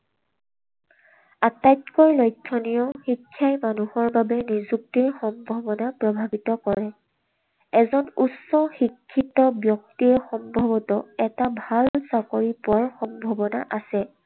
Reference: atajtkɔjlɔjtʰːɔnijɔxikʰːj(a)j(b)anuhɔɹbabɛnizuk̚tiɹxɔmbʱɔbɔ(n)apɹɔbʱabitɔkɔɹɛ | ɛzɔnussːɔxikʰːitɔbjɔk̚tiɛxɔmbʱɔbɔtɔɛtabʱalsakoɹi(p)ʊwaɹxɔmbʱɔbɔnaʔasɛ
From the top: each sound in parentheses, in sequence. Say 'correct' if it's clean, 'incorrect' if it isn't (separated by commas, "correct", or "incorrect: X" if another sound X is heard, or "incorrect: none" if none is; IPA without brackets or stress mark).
correct, incorrect: m, correct, correct